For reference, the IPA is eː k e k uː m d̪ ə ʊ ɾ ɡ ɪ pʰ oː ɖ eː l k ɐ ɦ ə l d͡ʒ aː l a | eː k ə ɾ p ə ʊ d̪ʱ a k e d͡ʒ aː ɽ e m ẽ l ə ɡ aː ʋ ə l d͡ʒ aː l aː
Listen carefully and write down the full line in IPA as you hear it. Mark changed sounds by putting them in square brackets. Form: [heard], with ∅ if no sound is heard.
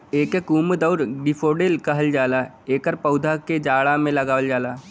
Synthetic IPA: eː k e k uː m d̪ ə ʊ ɾ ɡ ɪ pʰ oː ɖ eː l k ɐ ɦ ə l d͡ʒ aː l a | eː k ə ɾ p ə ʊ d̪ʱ a k e d͡ʒ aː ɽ [a] m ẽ l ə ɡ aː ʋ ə l d͡ʒ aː l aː